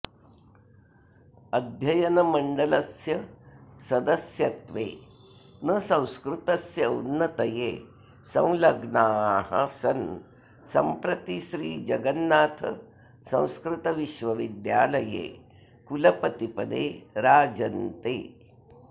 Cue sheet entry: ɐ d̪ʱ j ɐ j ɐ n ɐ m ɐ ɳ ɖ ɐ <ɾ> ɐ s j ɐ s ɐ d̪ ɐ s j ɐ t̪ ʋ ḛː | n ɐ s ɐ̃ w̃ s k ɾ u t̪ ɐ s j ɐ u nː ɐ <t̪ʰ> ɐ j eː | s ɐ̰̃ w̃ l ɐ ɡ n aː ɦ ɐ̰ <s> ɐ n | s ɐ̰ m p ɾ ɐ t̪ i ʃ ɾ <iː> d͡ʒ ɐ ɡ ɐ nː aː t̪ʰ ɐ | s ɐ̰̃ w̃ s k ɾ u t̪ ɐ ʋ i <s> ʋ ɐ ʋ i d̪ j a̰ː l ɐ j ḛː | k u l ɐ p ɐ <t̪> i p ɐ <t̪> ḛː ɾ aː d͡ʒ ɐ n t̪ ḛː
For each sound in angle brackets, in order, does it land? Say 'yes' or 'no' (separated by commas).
no, no, yes, yes, no, yes, no